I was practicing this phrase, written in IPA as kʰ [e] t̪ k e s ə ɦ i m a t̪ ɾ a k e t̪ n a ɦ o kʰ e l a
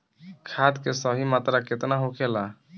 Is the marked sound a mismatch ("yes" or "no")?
yes